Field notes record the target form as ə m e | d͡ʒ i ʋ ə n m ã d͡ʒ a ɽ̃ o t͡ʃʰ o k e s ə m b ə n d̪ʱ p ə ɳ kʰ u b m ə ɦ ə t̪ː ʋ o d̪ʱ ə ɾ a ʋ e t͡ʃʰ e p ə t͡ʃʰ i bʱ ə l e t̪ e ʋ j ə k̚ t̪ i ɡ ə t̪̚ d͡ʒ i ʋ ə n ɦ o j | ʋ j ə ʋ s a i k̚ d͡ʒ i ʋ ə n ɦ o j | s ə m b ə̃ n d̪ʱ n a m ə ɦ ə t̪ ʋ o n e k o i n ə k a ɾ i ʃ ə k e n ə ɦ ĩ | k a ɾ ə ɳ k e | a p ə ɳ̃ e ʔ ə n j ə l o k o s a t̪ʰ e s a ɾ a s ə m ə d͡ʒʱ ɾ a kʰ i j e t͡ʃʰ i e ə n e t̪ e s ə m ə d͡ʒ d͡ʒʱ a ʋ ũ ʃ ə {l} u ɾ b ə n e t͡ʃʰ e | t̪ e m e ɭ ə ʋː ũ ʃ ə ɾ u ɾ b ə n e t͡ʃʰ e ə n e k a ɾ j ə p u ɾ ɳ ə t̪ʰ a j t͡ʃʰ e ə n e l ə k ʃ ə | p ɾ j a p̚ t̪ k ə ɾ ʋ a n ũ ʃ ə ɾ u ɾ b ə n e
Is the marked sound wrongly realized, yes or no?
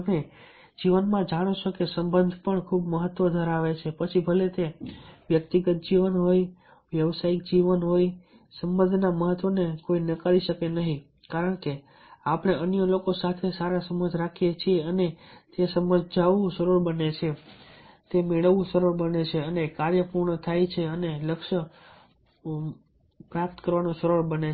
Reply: yes